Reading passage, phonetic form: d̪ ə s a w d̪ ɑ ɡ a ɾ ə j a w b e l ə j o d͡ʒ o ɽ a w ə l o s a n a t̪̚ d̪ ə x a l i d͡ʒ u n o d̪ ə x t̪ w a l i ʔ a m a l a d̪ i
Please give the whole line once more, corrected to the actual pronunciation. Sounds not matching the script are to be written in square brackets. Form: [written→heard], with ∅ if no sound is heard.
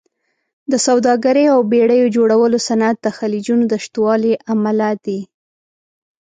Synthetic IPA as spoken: d̪ ə s a w d̪ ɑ ɡ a ɾ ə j a w b e [l→ɽ] ə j o d͡ʒ o ɽ a w ə l o s a n a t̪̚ d̪ ə x a l i d͡ʒ u n o d̪ ə [x→ʃ] t̪ w [a→ɑ] l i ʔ a m a l a d̪ i